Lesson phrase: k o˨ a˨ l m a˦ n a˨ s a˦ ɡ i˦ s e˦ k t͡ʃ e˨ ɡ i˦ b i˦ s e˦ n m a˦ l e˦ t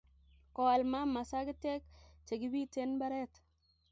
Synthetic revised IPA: k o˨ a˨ l m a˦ m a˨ s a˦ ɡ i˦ t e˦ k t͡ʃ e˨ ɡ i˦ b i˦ t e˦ n b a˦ ɾ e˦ t